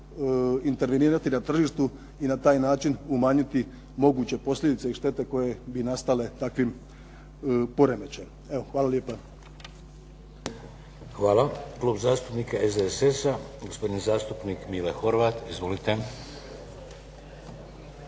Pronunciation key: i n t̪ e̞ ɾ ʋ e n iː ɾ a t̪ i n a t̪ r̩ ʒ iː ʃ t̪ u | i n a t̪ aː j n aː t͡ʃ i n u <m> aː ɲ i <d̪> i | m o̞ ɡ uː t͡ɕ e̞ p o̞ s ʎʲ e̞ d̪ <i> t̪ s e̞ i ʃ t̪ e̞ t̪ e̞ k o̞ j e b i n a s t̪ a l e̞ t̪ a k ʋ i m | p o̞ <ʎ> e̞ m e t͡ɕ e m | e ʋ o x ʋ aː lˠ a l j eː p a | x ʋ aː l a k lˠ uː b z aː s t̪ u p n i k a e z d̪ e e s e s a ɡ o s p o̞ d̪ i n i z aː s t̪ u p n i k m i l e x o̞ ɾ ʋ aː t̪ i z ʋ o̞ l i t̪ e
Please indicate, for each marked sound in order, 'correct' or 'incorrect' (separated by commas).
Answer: correct, incorrect, correct, incorrect